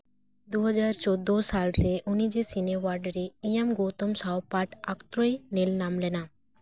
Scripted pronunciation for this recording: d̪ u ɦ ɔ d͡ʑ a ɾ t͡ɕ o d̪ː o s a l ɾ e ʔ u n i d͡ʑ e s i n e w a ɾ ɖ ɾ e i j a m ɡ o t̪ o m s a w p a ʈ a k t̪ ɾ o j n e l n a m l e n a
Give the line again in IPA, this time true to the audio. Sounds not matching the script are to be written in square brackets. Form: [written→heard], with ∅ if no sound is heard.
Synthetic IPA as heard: d̪ u ɦ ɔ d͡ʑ a ɾ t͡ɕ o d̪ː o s a l ɾ e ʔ u n i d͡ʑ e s i n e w a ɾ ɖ ɾ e i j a m ɡ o t̪ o m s a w p a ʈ a k t̪ ɾ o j n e l n a m l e n a

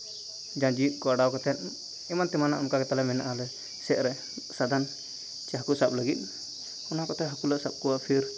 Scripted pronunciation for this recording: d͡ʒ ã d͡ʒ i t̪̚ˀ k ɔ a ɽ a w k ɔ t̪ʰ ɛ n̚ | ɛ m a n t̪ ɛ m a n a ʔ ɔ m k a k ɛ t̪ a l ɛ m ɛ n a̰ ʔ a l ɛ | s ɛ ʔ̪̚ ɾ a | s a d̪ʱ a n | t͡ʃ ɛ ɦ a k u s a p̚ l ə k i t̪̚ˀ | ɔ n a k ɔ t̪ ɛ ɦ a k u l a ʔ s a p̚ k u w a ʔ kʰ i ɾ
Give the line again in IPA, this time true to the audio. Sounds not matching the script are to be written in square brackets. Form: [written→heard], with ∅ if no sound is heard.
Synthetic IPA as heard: d͡ʒ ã d͡ʒ i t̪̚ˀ k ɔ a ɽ a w k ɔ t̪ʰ ɛ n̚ | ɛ m a n t̪ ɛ m a n a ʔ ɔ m k a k ɛ t̪ a l ɛ m ɛ n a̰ ʔ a l ɛ | s ɛ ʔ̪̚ ɾ [a→ɛ] | s a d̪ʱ a n | t͡ʃ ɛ ɦ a k u s a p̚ l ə [k→ɡ] i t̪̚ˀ | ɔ n a k ɔ t̪ ɛ ɦ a k u l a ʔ s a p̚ k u w a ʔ [kʰ→pʰ] i ɾ

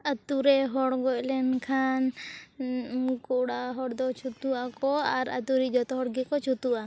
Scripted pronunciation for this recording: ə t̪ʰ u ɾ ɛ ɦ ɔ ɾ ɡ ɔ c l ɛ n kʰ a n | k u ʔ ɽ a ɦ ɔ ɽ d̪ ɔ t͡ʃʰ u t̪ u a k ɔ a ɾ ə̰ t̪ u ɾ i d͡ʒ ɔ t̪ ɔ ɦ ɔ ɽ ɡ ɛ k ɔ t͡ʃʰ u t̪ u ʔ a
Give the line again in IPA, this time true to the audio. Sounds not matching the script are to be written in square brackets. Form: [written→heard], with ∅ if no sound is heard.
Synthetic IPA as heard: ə [t̪ʰ→t̪] u ɾ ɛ ɦ ɔ [ɾ→ɽ] ɡ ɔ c l ɛ n kʰ a n | k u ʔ ɽ a ɦ ɔ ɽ d̪ ɔ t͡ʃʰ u t̪ u a k ɔ a ɾ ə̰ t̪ u ɾ i d͡ʒ ɔ t̪ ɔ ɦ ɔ ɽ ɡ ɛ k ɔ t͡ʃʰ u t̪ u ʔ a

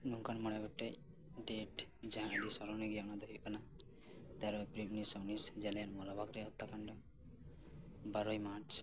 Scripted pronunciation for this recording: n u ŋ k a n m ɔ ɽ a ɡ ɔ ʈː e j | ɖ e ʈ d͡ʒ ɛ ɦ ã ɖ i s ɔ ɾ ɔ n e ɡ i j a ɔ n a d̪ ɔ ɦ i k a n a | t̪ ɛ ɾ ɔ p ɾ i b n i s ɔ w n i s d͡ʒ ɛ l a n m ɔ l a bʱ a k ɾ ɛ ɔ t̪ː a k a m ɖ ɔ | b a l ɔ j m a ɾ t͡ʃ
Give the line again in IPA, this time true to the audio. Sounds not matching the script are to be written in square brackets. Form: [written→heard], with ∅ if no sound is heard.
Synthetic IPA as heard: n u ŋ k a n m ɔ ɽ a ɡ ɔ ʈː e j | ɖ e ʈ d͡ʒ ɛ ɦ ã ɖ i s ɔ ɾ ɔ n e ɡ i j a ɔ n a d̪ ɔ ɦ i k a n a | t̪ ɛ ɾ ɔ p ɾ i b n i s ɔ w n i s d͡ʒ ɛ l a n m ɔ l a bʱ a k ɾ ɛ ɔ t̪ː a k a [m→ɳ] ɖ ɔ | b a [l→ɾ] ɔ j m a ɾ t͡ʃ

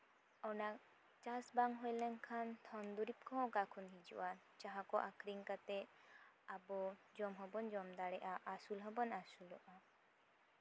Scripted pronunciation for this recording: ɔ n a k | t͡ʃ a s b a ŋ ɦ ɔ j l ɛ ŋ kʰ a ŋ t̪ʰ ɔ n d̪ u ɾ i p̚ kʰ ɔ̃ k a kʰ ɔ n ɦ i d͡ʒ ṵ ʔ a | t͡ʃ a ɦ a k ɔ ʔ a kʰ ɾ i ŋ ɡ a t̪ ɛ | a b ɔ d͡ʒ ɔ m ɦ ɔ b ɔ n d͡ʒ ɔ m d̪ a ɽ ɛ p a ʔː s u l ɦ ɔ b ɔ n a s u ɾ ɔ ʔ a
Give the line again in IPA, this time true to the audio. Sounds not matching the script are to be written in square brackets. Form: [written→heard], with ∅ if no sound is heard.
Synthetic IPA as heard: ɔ n a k | t͡ʃ a s b a ŋ ɦ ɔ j l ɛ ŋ kʰ a [ŋ→n] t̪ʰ ɔ n d̪ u ɾ i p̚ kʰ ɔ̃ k a kʰ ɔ n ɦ i d͡ʒ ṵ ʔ a | t͡ʃ a ɦ a k ɔ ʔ a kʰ ɾ i ŋ [ɡ→k] a t̪ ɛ | a b ɔ d͡ʒ ɔ m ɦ ɔ b ɔ n d͡ʒ ɔ m d̪ a ɽ ɛ [p→ʔ] a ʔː s u l ɦ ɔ b ɔ n a s u [ɾ→l] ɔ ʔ a

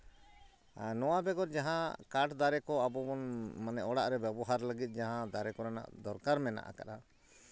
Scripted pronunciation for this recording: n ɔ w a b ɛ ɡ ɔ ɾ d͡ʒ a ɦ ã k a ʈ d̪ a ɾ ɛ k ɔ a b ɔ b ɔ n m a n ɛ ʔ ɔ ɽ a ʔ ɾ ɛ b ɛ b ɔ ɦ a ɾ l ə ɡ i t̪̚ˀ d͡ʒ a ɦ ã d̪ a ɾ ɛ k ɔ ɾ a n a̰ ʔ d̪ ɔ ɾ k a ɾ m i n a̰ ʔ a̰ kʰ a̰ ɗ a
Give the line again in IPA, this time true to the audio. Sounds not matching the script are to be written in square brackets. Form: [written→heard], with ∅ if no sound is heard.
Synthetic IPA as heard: n ɔ w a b ɛ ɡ ɔ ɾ d͡ʒ a ɦ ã k a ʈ d̪ a ɾ ɛ k ɔ a b ɔ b ɔ n m a n ɛ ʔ ɔ ɽ a ʔ ɾ ɛ b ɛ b ɔ ɦ a ɾ l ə ɡ i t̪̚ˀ d͡ʒ a ɦ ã d̪ a ɾ ɛ k ɔ ɾ a n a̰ ʔ d̪ ɔ ɾ k a ɾ m [i→ɛ] n a̰ ʔ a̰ [kʰ→k] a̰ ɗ a

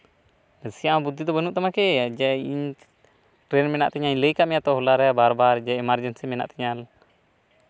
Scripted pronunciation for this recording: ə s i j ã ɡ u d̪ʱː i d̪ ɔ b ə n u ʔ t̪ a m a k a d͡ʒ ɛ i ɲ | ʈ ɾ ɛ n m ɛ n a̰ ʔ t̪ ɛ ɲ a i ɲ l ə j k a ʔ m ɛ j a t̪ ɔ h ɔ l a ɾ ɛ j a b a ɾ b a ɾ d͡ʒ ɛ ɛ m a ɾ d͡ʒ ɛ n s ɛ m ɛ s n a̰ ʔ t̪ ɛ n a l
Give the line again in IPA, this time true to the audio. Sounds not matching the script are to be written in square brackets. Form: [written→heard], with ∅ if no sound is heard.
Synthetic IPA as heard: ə s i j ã [ɡ→b] u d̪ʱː i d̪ ɔ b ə n u ʔ t̪ a m a k [a→ɛ] d͡ʒ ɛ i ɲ | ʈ ɾ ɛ n m ɛ n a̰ ʔ t̪ ɛ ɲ a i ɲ l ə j k a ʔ m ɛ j a t̪ ɔ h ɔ l a ɾ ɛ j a b a ɾ b a ɾ d͡ʒ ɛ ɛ m a ɾ d͡ʒ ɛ n s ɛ m ɛ [s→∅] n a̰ ʔ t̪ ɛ [n→ɲ] a l

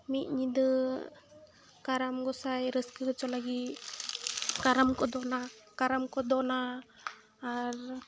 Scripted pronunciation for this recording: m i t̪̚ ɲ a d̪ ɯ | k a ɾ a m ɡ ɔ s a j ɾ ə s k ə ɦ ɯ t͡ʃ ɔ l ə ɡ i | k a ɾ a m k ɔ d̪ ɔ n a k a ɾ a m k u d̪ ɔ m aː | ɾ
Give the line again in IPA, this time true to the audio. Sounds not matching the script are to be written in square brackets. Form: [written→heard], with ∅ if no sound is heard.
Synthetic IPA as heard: m i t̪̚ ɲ [a→i] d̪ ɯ | k a ɾ a m ɡ ɔ s a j ɾ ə s k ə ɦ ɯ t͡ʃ ɔ l [ə→a] ɡ i | k a ɾ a m k ɔ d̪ ɔ n a k a ɾ a m k [u→ɔ] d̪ ɔ [m→n] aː | ɾ

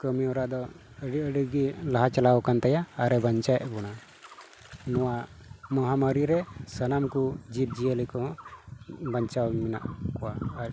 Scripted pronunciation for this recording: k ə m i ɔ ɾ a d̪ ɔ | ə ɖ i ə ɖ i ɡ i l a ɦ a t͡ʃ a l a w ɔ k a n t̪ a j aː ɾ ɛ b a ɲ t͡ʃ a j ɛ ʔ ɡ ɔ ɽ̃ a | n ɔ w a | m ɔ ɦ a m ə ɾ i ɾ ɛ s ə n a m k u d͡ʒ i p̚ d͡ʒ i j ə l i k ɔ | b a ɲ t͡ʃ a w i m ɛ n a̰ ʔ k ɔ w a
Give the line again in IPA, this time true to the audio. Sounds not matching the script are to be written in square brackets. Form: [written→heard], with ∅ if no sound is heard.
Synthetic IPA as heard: k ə m i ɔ ɾ a d̪ ɔ | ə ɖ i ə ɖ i ɡ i l a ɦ a t͡ʃ a l a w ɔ k a n t̪ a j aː ɾ ɛ b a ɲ t͡ʃ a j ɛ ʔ [ɡ→b] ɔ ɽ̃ a | n ɔ w a | m ɔ ɦ a m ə ɾ i ɾ ɛ s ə n a m k u d͡ʒ i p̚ d͡ʒ i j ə l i k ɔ | b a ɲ t͡ʃ a w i m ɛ n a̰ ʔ k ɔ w a

